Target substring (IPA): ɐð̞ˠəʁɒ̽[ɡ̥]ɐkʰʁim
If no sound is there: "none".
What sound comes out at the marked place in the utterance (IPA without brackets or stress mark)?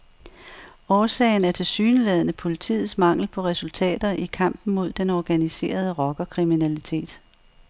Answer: ɡ̥